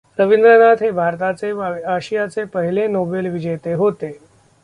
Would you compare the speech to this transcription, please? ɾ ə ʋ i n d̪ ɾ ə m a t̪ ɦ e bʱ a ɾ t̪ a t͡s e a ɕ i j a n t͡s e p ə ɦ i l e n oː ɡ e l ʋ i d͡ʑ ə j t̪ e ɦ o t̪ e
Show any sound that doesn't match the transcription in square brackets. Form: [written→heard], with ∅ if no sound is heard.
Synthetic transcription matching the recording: ɾ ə ʋ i n d̪ ɾ ə [m→n] a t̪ ɦ e bʱ a ɾ t̪ a t͡s e a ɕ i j a [n→∅] t͡s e p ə ɦ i l e n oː [ɡ→b] e l ʋ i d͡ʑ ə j t̪ e ɦ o t̪ e